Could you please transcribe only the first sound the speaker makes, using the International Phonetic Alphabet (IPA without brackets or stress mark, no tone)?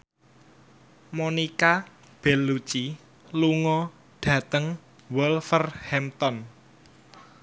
m